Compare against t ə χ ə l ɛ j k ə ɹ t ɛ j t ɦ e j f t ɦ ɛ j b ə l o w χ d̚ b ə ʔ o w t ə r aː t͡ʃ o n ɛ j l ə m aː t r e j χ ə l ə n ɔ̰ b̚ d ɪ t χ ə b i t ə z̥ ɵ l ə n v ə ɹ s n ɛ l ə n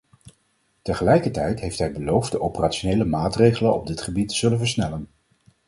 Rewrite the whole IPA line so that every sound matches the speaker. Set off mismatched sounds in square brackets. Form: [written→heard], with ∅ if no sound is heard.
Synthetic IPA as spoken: t ə χ ə l ɛ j k ə ɹ t ɛ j t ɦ e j f t ɦ ɛ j b ə l o w [χ→f] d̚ [b→d] ə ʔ o w [t→p] ə r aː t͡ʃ o n [ɛ→e] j l ə m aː t r e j χ ə l ə n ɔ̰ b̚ d ɪ t χ ə b i t ə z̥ ɵ l ə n v ə ɹ s n ɛ l ə n